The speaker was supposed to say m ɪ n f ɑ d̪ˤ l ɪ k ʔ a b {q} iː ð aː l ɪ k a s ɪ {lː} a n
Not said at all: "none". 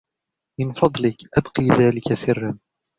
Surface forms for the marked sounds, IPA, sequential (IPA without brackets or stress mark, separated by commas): q, rː